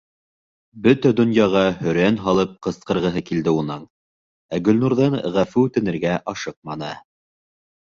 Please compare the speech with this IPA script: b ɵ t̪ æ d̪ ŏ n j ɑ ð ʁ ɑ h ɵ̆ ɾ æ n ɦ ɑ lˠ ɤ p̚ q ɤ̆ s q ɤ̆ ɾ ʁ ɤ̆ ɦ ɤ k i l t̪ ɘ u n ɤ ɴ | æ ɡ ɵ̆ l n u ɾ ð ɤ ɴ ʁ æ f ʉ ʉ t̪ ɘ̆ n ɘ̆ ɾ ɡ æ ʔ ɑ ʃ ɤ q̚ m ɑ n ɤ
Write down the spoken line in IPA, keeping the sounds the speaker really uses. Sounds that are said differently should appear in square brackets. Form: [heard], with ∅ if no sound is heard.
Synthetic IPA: b ɵ t̪ æ d̪ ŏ n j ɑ [∅] ʁ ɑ h ɵ̆ ɾ æ n ɦ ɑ lˠ ɤ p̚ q ɤ̆ s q ɤ̆ ɾ ʁ ɤ̆ ɦ ɤ k i l [d̪] ɘ u n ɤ ɴ | æ ɡ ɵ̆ l n u ɾ ð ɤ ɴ ʁ æ f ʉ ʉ t̪ ɘ̆ n ɘ̆ ɾ ɡ æ ʔ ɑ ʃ ɤ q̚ m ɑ n ɤ